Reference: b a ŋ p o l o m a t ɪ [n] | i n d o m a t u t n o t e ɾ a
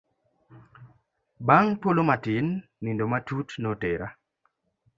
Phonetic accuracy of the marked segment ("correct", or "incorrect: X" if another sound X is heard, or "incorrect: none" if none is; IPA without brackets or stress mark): incorrect: nː